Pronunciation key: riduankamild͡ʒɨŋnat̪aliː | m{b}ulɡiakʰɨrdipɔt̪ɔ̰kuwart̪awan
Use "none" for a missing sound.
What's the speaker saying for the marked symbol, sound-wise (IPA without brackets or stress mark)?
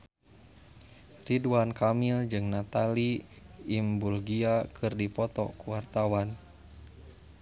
b